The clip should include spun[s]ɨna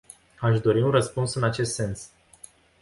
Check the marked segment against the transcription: correct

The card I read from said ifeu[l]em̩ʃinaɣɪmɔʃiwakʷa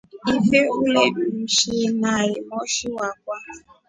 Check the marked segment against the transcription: correct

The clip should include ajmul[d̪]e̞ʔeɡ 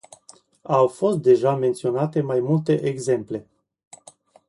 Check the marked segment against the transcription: incorrect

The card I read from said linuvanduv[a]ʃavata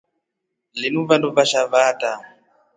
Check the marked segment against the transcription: correct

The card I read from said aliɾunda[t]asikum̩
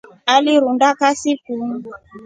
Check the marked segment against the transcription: incorrect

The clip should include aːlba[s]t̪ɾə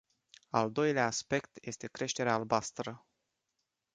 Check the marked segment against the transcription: correct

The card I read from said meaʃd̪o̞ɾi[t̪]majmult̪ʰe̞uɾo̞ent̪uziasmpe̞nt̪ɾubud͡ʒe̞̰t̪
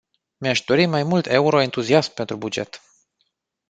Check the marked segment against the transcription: incorrect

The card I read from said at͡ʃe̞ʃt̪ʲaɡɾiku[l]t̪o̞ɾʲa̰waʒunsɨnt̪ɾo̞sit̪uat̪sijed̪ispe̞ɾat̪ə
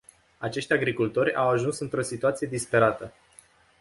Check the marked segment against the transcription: correct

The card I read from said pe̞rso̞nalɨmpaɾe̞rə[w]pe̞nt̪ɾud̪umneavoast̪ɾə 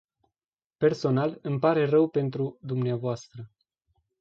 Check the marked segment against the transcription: correct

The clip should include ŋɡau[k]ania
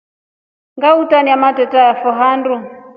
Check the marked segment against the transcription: incorrect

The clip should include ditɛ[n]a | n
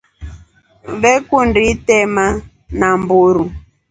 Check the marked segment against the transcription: incorrect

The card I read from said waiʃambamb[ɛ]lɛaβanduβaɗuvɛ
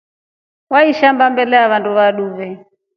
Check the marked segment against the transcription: correct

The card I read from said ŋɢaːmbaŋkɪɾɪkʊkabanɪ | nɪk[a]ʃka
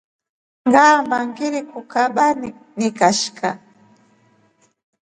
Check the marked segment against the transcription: correct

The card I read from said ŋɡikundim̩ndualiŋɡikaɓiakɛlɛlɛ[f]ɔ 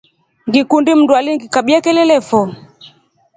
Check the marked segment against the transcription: correct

